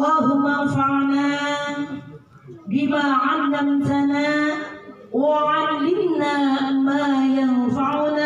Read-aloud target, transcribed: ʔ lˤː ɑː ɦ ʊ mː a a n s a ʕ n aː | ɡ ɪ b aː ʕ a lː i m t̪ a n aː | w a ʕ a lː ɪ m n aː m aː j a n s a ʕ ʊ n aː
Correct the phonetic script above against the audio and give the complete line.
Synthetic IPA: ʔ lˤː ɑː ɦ ʊ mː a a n f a ʕ n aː | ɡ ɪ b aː ʕ a lː a m t̪ a n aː | w a ʕ a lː ɪ m n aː m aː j a n f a ʕ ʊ n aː